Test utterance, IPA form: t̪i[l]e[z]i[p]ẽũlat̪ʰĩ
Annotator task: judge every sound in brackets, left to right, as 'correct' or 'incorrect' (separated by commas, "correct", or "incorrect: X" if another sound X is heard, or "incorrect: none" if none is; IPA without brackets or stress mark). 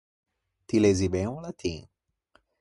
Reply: correct, correct, incorrect: b